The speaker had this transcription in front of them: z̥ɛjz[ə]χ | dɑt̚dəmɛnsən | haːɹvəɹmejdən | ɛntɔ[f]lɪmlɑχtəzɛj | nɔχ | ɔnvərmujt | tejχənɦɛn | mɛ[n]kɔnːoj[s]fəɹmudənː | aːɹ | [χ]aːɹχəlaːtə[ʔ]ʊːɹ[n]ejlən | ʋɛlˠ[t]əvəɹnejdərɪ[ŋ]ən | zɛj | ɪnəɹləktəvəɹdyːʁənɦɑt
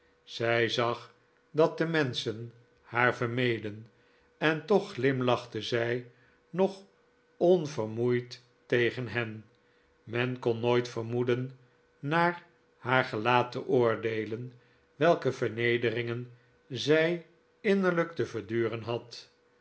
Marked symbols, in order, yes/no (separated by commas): no, no, yes, no, no, yes, no, no, yes